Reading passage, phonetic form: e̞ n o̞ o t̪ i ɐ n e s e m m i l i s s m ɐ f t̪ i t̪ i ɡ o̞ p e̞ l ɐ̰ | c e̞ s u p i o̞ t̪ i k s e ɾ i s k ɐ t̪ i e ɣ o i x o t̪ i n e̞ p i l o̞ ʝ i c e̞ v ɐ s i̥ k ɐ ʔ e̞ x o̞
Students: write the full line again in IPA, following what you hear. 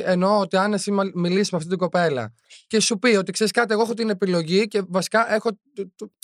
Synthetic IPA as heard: e̞ n o̞ o t̪ i ɐ n e s i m m i l i s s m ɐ f t̪ i t̪ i ɡ o̞ p e̞ l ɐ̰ | c e̞ s u p i o̞ t̪ i k s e ɾ i s k ɐ t̪ i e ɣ o e x o t̪ i n e̞ p i l o̞ ʝ i c e̞ v ɐ s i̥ k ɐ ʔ e̞ x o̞